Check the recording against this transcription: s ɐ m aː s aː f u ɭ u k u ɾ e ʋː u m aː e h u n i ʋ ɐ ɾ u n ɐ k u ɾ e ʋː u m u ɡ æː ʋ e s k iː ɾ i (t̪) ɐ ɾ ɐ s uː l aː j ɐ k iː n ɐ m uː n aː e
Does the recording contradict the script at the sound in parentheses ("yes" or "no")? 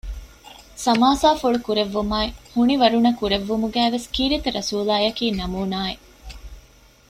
no